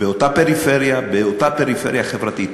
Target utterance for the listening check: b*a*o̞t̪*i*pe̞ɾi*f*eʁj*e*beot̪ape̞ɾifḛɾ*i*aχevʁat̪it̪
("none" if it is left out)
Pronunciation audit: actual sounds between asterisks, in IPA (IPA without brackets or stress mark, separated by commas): e, a, f, a, j